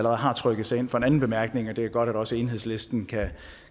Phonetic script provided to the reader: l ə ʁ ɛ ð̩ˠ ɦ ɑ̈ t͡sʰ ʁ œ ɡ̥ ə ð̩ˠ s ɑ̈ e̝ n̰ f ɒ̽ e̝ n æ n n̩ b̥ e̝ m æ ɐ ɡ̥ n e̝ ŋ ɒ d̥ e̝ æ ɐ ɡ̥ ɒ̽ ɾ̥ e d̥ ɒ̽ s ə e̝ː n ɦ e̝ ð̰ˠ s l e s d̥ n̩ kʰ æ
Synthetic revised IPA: l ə ʁ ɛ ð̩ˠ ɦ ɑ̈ t͡sʰ ʁ œ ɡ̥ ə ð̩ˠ s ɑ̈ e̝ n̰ f ɒ̽ e̝ n æ n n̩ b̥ e̝ m æ ɐ ɡ̥ n e̝ ŋ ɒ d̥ e̝ æ ɐ ɡ̥ ɒ̽ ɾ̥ æ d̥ ɒ̽ s ə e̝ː n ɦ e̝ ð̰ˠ s l e s d̥ n̩ kʰ æ